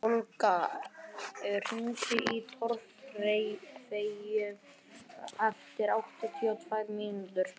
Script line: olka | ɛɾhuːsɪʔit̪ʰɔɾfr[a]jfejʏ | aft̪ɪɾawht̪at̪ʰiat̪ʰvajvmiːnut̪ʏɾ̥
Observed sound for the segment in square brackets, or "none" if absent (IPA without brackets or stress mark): e